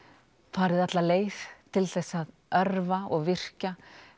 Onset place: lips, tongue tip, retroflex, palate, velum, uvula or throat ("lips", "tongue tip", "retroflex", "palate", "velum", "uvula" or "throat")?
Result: lips